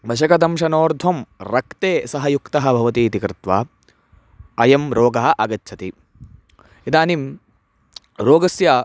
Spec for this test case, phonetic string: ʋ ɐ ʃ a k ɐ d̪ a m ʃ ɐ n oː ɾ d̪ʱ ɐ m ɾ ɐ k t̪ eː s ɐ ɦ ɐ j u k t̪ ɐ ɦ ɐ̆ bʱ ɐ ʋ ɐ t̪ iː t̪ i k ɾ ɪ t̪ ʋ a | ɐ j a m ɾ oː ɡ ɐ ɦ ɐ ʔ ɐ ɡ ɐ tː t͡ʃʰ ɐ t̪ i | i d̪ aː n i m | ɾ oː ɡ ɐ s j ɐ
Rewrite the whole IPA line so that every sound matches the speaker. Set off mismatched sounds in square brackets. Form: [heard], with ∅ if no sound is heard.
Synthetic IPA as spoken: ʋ ɐ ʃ [ɐ] k ɐ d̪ [ɐ] m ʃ ɐ n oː ɾ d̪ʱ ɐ m ɾ ɐ k t̪ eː s ɐ ɦ ɐ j u k t̪ ɐ ɦ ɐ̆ bʱ ɐ ʋ ɐ t̪ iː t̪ i k ɾ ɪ t̪ ʋ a | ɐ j [ɐ] m ɾ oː ɡ ɐ ɦ ɐ ʔ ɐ ɡ ɐ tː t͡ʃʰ ɐ t̪ i | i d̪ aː n i m | ɾ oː ɡ ɐ s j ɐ